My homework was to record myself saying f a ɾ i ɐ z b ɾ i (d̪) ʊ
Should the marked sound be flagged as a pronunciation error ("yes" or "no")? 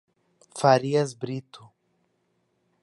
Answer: yes